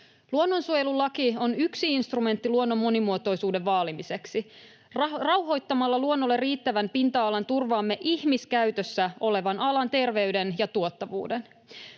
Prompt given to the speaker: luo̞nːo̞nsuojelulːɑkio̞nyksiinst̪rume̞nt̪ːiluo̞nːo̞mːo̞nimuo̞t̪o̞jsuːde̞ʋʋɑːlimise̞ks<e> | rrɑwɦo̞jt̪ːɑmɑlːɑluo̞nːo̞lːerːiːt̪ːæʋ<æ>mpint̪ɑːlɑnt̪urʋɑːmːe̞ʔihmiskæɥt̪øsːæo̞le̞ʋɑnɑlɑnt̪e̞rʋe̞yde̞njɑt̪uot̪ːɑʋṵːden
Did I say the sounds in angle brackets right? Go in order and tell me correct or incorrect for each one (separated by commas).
incorrect, correct